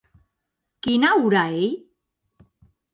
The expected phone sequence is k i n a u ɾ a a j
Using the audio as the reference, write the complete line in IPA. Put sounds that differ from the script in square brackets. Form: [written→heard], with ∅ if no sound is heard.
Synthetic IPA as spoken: k i n a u ɾ a [a→e] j